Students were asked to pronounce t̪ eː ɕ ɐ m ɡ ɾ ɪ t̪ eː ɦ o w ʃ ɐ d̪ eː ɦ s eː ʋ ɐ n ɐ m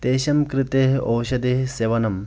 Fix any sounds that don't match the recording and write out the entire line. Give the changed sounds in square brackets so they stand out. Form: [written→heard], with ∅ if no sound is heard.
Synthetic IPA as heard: t̪ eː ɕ ɐ m [ɡ→k] ɾ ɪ t̪ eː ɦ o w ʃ ɐ d̪ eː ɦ s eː ʋ ɐ n ɐ m